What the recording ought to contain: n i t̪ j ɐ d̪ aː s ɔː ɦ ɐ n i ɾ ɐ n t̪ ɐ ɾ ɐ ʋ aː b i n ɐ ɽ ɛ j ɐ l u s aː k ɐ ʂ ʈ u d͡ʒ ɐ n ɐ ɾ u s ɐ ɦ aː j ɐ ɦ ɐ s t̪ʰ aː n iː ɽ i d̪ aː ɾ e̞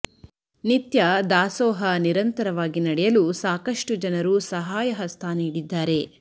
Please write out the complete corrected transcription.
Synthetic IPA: n i t̪ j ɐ d̪ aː s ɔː ɦ ɐ n i ɾ ɐ n t̪ ɐ ɾ ɐ ʋ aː ɡ i n ɐ ɽ ɛ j ɐ l u s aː k ɐ ʂ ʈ u d͡ʒ ɐ n ɐ ɾ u s ɐ ɦ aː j ɐ ɦ ɐ s t̪ʰ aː n iː ɽ i d̪ː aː ɾ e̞